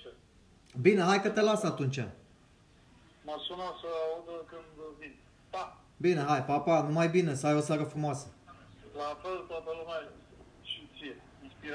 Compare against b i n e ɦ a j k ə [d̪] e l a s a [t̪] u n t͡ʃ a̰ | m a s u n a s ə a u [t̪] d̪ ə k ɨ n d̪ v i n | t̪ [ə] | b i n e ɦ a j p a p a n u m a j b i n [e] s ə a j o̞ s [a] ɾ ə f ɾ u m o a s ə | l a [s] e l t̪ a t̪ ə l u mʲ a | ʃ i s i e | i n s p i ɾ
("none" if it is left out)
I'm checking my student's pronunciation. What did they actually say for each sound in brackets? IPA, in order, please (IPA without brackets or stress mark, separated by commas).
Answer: t̪, t̪, none, a, e, a, f